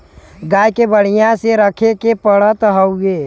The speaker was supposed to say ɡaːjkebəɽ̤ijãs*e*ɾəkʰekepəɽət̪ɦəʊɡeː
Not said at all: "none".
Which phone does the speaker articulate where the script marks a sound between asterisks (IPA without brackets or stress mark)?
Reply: e